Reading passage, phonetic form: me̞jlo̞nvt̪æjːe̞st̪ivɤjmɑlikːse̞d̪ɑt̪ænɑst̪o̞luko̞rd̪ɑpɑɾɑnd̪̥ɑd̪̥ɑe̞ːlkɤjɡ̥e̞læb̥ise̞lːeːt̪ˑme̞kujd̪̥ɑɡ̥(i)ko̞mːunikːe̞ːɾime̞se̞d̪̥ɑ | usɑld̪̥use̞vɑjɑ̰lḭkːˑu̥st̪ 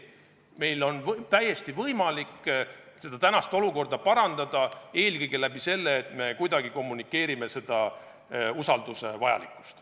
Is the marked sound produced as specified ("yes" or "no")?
yes